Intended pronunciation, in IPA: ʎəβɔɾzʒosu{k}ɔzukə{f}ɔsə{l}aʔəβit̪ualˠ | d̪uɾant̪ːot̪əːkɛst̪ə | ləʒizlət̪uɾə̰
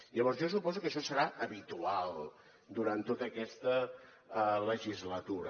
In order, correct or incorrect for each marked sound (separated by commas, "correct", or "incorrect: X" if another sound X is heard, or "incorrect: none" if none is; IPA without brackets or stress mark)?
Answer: incorrect: p, incorrect: ʃ, incorrect: ɾ